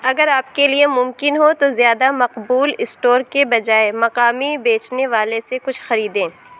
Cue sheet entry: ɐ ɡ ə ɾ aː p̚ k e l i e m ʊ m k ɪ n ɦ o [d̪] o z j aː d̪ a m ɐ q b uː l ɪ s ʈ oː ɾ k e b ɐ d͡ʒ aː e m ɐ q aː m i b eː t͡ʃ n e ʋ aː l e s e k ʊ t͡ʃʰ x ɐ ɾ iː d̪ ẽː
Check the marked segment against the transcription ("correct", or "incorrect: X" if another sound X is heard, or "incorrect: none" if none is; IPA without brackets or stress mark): incorrect: t̪